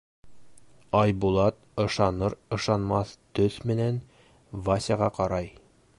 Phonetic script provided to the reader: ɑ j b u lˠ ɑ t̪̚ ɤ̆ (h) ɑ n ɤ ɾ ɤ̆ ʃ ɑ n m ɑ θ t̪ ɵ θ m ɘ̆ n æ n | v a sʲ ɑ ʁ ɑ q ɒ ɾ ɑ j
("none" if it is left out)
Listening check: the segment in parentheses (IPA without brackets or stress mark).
ʃ